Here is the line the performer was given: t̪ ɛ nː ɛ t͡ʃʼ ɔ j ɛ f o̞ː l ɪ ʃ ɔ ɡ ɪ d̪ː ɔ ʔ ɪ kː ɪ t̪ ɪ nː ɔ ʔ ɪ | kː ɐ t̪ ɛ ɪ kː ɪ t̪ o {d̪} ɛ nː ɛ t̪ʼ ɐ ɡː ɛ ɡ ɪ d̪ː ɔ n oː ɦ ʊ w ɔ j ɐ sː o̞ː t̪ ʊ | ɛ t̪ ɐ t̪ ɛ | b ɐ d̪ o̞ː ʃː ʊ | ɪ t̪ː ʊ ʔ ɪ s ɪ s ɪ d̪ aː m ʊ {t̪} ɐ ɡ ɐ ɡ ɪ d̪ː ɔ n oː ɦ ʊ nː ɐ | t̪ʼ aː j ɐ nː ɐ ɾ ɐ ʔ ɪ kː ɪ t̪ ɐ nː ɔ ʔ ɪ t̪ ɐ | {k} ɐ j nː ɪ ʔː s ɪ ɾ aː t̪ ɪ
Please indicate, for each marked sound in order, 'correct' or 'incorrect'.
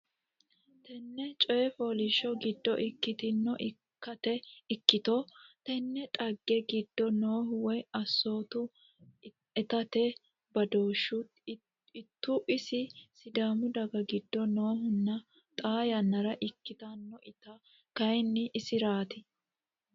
incorrect: t̪, incorrect: d̪, correct

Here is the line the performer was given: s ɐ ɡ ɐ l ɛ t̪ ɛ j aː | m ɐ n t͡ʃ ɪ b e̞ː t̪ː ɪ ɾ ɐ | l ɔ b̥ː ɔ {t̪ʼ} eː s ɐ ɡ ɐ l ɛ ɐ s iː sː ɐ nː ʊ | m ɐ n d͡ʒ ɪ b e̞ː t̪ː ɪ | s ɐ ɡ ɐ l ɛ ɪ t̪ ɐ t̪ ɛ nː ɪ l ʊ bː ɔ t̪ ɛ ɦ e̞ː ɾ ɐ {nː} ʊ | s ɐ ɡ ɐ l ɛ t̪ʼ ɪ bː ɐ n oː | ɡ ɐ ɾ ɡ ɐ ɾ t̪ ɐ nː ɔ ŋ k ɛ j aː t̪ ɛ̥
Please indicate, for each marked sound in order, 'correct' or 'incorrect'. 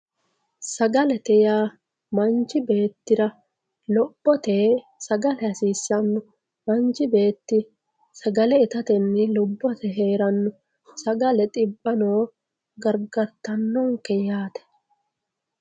incorrect: t̪, correct

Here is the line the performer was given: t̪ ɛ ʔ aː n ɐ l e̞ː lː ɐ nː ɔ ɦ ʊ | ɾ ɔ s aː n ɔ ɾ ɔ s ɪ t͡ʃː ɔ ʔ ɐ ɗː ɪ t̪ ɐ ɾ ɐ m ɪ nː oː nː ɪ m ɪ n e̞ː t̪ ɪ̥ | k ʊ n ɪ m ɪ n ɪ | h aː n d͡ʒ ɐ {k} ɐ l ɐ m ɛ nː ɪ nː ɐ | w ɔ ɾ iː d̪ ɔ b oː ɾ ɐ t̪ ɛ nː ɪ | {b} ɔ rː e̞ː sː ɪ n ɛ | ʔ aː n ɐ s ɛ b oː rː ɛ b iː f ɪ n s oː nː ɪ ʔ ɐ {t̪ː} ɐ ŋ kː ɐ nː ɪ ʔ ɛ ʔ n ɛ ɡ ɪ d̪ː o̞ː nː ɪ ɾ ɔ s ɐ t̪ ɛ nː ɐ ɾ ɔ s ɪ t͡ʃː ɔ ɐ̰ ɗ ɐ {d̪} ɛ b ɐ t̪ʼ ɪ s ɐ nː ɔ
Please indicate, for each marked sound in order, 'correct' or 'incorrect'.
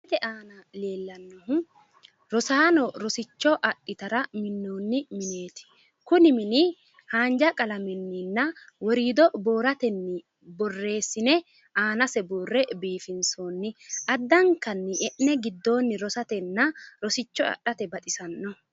incorrect: kʼ, correct, incorrect: d̪ː, incorrect: t̪

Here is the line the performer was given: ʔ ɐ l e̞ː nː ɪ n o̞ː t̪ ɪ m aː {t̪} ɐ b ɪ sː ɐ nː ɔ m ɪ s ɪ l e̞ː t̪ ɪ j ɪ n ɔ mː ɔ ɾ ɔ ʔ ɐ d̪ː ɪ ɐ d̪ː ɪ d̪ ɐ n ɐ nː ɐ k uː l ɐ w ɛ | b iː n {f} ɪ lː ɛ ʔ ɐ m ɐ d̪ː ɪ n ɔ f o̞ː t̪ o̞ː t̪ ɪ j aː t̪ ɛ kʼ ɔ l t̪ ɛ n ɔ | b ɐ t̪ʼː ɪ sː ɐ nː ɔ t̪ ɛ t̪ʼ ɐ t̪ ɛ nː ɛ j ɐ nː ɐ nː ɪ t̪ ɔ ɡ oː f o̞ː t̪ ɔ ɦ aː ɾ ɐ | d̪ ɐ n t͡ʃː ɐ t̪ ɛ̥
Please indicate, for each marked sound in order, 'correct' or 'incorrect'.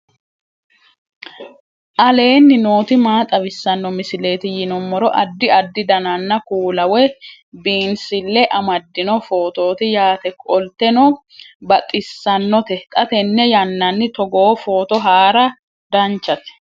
incorrect: t̪ʼ, incorrect: s

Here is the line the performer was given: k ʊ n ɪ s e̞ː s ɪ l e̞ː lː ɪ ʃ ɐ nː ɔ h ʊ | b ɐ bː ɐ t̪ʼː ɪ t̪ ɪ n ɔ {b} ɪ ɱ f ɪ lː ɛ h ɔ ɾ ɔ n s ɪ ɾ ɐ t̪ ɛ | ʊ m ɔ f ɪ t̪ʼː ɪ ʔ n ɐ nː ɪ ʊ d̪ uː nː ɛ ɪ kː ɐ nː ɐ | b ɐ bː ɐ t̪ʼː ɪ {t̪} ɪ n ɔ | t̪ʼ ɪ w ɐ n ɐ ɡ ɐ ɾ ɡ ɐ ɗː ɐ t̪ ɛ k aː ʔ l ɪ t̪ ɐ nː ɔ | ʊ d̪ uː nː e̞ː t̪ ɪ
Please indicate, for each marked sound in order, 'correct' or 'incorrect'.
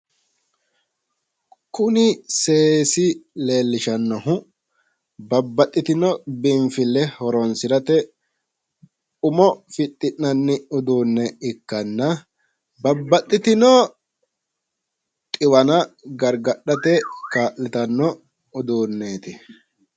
correct, correct

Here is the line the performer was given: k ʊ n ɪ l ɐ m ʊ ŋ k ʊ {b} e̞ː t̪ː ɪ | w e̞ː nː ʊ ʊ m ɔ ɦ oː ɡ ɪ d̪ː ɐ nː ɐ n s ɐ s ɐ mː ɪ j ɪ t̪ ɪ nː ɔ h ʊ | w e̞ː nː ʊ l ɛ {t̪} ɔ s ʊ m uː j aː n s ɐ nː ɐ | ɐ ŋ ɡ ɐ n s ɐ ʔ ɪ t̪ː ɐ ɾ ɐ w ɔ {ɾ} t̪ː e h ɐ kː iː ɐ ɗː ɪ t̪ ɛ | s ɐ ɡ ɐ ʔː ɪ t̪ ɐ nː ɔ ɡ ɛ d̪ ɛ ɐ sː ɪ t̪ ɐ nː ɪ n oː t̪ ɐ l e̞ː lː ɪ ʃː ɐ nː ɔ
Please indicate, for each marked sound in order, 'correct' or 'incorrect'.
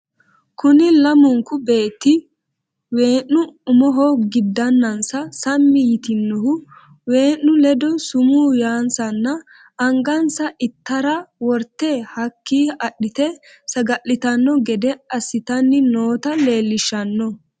correct, incorrect: d̪, correct

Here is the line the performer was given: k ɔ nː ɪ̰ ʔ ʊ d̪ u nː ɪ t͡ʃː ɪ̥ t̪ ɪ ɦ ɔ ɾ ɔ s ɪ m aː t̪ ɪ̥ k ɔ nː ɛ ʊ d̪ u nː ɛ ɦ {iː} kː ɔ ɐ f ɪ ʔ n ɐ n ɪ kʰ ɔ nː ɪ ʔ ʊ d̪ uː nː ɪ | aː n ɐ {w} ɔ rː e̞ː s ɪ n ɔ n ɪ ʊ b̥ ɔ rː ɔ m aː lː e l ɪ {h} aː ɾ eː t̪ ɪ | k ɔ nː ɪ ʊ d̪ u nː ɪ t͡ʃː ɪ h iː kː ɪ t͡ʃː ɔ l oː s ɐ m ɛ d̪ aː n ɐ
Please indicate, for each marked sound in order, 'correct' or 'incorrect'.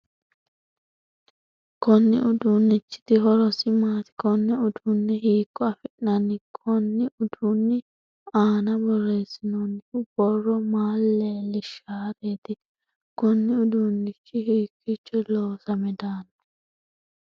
correct, incorrect: b, incorrect: ʃ

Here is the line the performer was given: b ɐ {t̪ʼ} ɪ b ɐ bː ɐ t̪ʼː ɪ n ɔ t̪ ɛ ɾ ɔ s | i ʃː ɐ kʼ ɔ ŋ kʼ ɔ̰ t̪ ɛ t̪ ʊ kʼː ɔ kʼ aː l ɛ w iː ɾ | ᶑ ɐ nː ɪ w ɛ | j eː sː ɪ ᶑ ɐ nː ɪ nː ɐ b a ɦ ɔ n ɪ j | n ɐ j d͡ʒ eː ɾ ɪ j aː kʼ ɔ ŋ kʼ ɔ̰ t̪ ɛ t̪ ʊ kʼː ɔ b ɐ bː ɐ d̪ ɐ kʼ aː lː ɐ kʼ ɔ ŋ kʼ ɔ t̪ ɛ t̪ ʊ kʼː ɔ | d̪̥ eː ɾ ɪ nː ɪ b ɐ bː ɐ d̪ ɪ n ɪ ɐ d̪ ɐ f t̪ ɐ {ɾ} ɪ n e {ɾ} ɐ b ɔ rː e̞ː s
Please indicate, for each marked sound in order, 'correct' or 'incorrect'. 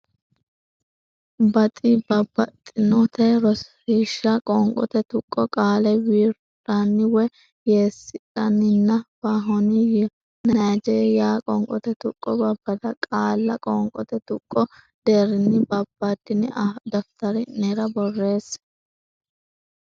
correct, correct, correct

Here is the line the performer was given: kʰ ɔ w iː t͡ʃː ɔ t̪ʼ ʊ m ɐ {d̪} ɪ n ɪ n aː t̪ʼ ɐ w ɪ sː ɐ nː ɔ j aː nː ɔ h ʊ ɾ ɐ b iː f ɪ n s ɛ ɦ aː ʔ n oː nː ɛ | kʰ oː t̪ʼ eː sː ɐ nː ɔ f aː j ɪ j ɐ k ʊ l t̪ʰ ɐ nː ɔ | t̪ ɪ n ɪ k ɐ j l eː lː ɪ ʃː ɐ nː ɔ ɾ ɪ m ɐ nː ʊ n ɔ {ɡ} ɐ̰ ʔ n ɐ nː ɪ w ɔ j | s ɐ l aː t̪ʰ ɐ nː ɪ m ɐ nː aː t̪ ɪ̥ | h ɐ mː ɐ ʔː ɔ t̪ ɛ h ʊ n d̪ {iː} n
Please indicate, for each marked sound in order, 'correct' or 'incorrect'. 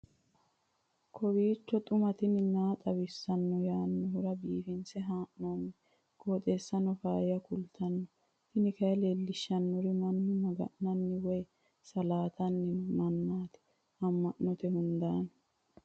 incorrect: t̪, correct, incorrect: aː

